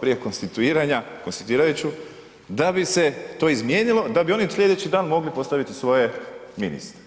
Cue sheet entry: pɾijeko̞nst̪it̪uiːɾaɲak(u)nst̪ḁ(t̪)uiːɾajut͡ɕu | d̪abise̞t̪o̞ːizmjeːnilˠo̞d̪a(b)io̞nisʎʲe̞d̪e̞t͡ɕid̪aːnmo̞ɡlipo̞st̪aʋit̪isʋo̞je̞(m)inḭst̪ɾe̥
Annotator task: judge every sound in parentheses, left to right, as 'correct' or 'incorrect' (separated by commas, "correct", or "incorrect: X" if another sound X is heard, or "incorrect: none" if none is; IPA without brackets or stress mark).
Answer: incorrect: o, correct, correct, correct